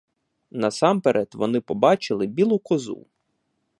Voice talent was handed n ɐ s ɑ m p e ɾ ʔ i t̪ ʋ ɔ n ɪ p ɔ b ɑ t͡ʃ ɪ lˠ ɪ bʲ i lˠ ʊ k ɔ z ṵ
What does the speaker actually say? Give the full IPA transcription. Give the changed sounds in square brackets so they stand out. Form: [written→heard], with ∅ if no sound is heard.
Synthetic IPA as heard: n ɐ s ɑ m p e ɾ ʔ [i→ɛ] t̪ ʋ ɔ n ɪ p ɔ b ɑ t͡ʃ ɪ lˠ ɪ bʲ i lˠ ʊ k ɔ z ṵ